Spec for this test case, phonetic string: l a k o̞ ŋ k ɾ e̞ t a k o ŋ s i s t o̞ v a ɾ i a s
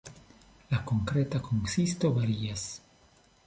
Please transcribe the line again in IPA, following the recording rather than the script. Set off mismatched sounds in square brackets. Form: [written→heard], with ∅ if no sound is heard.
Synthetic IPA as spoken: l a k o̞ ŋ k ɾ e̞ t a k o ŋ s i s t o̞ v a ɾ i a s

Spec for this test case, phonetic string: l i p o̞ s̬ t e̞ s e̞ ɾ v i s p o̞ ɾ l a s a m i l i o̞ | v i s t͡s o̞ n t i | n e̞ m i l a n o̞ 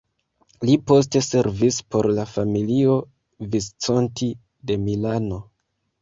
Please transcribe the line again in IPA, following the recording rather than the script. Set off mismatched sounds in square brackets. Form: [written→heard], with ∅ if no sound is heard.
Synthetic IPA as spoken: l i p o̞ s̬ t e̞ s e̞ ɾ v i s p o̞ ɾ l a [s→f] a m i l i o̞ | v i s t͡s o̞ n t i | [n→d] e̞ m i l a n o̞

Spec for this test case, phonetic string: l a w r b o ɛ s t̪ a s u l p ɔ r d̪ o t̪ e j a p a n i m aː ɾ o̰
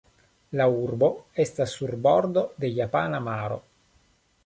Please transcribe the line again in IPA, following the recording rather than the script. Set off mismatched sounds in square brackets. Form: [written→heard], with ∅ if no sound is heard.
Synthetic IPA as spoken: l a [w→u] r b o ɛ s t̪ a s u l [p→b] ɔ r d̪ o [t̪→d̪] e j a p a n [i→a] m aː ɾ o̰

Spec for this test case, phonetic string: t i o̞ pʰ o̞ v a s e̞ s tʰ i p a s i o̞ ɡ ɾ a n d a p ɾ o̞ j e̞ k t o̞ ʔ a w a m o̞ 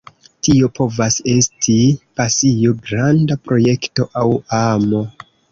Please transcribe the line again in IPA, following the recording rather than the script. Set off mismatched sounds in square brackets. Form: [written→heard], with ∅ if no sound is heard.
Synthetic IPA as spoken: t i o̞ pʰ o̞ v a s e̞ s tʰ i p a s i o̞ ɡ ɾ a n d a p ɾ o̞ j e̞ k t o̞ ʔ a w a m o̞

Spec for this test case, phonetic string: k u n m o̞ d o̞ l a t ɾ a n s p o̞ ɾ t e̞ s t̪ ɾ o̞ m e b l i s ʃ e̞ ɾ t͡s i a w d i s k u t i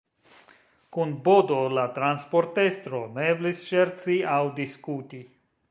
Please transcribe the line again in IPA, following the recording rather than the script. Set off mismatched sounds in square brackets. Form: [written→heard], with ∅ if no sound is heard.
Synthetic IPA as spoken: k u n [m→b] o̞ d o̞ l a t ɾ a n s p o̞ ɾ t e̞ s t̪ ɾ o̞ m e b l i s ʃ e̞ ɾ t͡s i a w d i s k u t i

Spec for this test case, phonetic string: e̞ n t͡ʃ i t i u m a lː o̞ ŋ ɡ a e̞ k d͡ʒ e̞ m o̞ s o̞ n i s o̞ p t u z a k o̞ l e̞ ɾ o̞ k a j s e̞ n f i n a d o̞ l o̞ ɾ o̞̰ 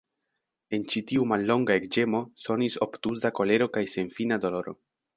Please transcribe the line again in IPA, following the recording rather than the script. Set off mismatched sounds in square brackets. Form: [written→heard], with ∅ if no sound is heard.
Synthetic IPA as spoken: e̞ n t͡ʃ i t i u m a lː o̞ ŋ ɡ a e̞ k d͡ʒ e̞ m o̞ s o̞ n i s o̞ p t u z a k o̞ l e̞ ɾ o̞ k a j s e̞ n f i n a d o̞ l o̞ ɾ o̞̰

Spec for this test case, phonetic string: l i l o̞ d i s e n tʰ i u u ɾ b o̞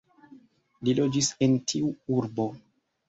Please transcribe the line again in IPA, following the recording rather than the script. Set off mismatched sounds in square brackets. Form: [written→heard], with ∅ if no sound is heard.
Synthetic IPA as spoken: l i l o̞ [d→d͡ʒ] i s e n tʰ i u u ɾ b o̞

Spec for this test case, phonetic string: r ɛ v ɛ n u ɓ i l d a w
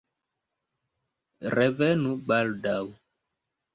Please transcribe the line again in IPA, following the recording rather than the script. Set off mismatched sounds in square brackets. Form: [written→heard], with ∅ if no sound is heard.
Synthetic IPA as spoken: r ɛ v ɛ n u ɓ [i→a] l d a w

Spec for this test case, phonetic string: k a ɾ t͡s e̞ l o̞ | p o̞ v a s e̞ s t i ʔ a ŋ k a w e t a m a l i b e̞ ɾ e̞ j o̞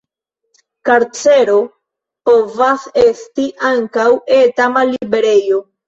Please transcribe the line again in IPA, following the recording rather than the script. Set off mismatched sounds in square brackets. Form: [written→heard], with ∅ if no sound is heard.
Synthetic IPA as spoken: k a ɾ t͡s e̞ [l→ɾ] o̞ | p o̞ v a s e̞ s t i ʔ a ŋ k a w e t a m a l i b e̞ ɾ e̞ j o̞

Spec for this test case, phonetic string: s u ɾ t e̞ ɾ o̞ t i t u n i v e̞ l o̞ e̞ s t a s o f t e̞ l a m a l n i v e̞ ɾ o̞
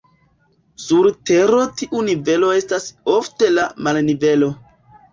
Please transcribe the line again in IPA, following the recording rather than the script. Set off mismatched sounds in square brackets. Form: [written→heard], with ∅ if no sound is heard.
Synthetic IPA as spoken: s u ɾ t e̞ ɾ o̞ t i [t→ʔ] u n i v e̞ l o̞ e̞ s t a s o f t e̞ l a m a l n i v e̞ [ɾ→l] o̞

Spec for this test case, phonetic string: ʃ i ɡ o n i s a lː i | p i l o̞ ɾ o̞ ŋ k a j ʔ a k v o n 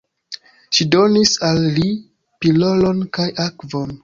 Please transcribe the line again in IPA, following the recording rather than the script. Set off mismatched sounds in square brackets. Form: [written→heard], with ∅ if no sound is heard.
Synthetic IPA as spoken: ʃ i [ɡ→d] o n i s a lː i | p i l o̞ [ɾ→l] o̞ [ŋ→n] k a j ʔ a k v o n

